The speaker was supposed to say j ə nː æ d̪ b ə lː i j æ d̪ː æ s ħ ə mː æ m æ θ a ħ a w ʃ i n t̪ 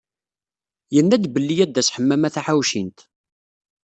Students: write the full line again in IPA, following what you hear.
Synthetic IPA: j ə nː æ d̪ b ə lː i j æ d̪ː æ s ħ ə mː æ m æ θ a ħ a w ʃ i n t̪

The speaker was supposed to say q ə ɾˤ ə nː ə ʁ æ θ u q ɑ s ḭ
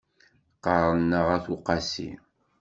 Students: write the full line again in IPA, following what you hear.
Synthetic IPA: q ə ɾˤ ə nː ə ʁ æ θ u q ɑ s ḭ

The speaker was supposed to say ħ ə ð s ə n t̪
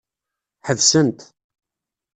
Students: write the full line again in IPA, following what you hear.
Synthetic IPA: ħ ə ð s ə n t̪

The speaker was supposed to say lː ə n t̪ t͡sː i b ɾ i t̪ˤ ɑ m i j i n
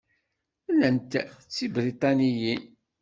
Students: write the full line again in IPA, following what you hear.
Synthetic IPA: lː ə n t̪ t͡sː i b ɾ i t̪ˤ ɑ n i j i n

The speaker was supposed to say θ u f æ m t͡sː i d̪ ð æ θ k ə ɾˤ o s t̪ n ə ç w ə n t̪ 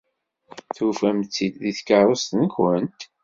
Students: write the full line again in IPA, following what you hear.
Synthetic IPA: θ u f æ m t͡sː i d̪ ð i θ k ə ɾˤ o s t̪ n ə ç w ə n t̪

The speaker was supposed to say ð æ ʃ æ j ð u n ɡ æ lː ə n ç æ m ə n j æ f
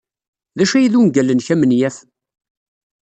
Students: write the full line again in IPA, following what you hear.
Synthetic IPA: ð æ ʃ æ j ð u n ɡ æ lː ə n ç æ m ə n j æ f

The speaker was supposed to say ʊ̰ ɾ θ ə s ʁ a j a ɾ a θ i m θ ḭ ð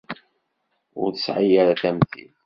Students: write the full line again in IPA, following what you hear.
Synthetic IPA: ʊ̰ ɾ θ ə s ʕ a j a ɾ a θ æ m θ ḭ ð

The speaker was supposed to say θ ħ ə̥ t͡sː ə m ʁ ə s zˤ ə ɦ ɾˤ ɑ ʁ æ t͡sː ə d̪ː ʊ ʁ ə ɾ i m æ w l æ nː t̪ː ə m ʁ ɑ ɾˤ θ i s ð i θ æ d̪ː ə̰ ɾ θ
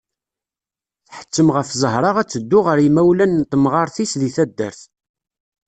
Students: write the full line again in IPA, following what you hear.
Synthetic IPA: θ ħ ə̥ t͡sː ə m ʁ ə f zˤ ə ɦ ɾˤ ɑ ʁ æ t͡sː ə d̪ː ʊ ʁ ə ɾ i m æ w l æ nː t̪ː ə m ʁ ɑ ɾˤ θ i s ð i θ æ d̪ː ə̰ ɾ θ

